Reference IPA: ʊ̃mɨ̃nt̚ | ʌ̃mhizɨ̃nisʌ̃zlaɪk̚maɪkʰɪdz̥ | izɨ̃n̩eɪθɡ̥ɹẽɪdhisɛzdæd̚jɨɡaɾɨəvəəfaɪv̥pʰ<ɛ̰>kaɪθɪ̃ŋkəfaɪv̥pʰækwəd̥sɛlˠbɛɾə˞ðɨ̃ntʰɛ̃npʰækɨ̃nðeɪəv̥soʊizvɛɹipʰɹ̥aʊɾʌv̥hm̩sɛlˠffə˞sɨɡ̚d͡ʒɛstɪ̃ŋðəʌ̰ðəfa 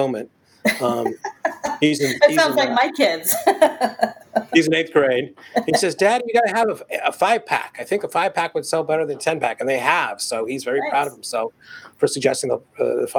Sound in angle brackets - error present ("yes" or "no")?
yes